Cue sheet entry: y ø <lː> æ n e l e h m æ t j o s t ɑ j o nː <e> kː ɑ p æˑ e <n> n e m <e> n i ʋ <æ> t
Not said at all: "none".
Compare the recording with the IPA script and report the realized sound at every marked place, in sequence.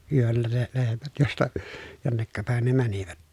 lː, e, n, æ, æ

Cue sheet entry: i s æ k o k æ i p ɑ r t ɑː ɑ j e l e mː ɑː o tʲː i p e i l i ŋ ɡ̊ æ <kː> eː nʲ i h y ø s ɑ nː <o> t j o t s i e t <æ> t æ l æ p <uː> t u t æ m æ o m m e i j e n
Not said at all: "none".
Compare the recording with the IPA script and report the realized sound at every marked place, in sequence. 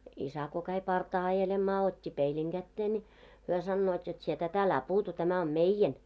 tː, oː, æ, uː

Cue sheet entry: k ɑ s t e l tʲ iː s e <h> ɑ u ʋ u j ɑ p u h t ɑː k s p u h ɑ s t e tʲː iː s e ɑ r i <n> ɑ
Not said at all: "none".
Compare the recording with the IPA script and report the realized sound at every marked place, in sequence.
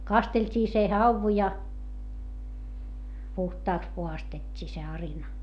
h, n

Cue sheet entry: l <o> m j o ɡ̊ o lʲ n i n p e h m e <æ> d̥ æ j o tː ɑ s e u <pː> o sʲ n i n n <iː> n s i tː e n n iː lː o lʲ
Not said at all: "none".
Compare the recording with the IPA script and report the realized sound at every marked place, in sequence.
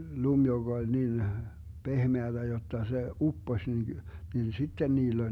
u, æ, pː, i

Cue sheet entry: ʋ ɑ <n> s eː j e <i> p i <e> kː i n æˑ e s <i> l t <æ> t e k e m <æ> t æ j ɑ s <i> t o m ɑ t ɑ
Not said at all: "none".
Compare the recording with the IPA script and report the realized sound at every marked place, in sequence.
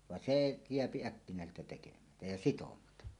n, æ, æ, e, æ, æ, i

